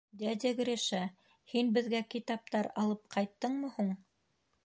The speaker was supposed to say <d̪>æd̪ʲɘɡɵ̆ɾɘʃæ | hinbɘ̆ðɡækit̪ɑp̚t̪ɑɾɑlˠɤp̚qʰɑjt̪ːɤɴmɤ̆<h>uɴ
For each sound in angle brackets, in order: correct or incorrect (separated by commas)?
correct, correct